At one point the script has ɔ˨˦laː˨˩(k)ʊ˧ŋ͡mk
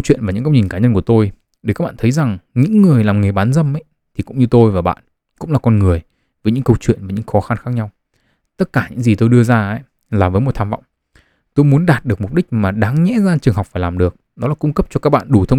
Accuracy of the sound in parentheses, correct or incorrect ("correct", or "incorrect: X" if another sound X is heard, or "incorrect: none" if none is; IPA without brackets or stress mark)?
correct